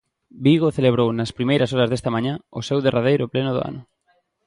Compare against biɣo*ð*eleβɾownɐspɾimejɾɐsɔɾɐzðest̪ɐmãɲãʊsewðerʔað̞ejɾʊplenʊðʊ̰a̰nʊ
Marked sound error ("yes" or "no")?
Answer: yes